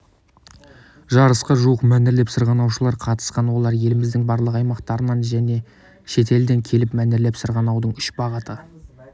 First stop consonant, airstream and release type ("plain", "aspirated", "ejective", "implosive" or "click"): plain